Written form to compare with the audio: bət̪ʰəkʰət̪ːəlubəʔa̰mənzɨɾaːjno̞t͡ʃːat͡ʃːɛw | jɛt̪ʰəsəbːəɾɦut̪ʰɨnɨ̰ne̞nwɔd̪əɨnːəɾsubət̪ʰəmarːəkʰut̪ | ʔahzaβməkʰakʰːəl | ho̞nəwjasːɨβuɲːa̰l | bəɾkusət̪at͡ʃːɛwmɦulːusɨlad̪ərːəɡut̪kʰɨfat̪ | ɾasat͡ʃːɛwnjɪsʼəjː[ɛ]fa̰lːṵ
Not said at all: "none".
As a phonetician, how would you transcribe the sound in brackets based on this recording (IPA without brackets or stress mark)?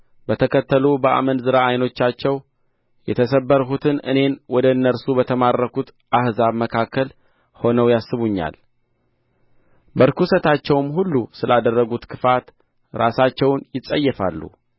ɛ